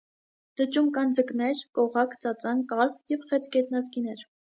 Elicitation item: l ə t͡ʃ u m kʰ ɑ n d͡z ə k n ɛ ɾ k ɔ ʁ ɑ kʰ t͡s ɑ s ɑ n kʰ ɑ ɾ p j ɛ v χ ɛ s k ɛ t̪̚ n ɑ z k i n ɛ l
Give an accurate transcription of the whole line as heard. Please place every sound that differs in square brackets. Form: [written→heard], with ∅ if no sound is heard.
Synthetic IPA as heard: l ə t͡ʃ u m [kʰ→k] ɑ n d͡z ə k n ɛ ɾ k ɔ ʁ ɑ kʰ t͡s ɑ [s→t͡s] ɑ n [kʰ→k] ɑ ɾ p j ɛ v χ ɛ [s→t͡s] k ɛ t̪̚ n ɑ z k i n ɛ [l→ɾ]